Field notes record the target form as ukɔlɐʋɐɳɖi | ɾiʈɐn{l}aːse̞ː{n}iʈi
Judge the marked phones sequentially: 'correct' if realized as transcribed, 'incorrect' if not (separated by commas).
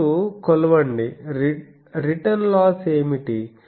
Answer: correct, incorrect